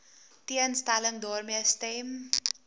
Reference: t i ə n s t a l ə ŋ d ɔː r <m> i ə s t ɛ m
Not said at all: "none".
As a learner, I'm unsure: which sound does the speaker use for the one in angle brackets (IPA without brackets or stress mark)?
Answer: m